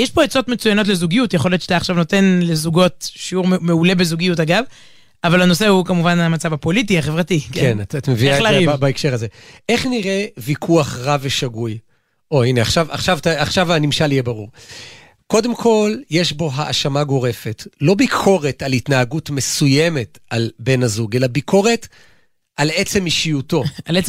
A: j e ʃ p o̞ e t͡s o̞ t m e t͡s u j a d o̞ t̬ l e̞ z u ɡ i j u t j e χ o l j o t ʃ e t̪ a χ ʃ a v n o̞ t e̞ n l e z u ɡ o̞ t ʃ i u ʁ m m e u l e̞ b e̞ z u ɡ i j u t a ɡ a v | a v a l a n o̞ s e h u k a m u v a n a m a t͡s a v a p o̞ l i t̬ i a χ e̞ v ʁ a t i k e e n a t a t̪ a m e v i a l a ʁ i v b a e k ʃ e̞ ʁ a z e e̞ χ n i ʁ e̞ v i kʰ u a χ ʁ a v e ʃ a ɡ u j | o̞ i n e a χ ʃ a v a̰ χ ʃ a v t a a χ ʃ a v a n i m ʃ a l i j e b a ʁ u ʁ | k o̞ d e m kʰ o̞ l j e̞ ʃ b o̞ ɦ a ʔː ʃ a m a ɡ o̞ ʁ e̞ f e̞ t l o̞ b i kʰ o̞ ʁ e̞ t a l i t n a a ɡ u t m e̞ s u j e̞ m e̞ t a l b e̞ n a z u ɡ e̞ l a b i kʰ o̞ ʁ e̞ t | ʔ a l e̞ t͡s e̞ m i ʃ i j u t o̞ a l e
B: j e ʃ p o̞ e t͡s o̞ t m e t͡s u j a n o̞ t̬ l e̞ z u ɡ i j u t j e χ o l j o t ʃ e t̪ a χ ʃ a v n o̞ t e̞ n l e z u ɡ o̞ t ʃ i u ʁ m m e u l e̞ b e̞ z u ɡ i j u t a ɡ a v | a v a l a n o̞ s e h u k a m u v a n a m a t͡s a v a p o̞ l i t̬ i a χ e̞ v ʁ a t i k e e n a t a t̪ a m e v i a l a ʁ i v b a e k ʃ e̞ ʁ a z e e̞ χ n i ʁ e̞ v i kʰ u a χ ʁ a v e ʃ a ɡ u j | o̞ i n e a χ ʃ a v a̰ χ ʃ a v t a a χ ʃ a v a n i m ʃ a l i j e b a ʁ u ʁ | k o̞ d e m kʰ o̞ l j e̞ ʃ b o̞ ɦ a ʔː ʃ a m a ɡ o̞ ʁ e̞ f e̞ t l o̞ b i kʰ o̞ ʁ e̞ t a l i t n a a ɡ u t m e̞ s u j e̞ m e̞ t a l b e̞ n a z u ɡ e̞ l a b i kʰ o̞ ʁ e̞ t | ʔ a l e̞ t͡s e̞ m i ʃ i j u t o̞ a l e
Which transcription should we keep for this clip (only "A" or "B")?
B